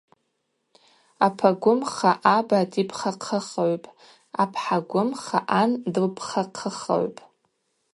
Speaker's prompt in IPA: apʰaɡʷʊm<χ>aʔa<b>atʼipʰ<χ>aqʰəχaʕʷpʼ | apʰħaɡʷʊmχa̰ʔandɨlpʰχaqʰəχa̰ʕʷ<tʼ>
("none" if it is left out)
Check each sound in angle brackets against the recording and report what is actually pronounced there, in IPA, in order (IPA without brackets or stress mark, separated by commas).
χ, b, χ, pʼ